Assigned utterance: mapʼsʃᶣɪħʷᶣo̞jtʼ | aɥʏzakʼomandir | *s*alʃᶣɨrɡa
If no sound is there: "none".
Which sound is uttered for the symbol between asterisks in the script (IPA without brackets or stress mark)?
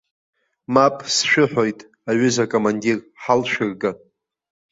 ħ